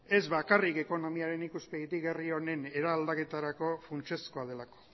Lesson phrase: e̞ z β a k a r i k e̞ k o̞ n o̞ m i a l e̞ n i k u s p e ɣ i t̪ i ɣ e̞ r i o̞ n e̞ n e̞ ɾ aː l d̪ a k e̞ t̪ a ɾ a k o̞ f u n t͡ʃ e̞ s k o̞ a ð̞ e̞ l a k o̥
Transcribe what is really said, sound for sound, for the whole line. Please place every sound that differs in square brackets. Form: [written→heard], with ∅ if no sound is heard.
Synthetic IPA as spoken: e̞ z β a k a r i k e̞ k o̞ n o̞ m i a [l→ɾ] e̞ n i k u s p e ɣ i t̪ i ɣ e̞ r i o̞ n e̞ n e̞ ɾ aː l d̪ a k e̞ t̪ a ɾ a k o̞ f u n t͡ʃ e̞ s k o̞ a ð̞ e̞ l a k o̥